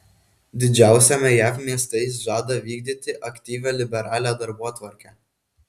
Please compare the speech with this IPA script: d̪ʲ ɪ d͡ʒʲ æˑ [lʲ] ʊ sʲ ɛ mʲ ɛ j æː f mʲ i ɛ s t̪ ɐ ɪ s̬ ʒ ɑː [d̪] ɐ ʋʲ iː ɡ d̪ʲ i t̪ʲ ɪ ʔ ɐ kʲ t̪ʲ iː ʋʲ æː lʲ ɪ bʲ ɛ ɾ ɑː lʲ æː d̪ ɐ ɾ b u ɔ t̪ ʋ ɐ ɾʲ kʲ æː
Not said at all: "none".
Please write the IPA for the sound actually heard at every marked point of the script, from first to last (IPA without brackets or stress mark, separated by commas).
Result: none, d̪